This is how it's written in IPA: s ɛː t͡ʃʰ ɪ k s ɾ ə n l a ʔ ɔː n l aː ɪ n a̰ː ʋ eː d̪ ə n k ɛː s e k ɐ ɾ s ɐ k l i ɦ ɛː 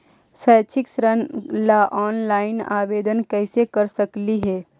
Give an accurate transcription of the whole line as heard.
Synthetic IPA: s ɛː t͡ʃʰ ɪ k s ɾ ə n l a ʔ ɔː n l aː ɪ n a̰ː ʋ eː d̪ ə n k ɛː s e k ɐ ɾ s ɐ k l i ɦ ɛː